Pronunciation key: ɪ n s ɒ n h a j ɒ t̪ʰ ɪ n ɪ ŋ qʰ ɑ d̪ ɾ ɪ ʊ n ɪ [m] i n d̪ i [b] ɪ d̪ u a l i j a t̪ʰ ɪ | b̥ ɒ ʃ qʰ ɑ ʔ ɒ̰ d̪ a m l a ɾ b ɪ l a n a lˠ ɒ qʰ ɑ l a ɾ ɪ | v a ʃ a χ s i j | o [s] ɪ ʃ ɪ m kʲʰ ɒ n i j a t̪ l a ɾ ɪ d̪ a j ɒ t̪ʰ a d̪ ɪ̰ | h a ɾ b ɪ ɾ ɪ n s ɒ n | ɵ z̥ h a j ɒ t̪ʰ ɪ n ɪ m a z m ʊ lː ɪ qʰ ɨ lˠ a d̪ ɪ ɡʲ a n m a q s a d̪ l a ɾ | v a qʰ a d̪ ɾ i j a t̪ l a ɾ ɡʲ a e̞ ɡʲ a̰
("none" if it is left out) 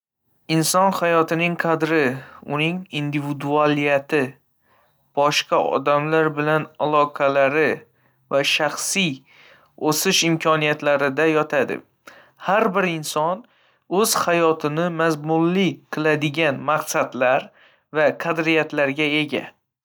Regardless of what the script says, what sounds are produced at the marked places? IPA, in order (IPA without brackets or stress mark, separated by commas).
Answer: ŋ, v, s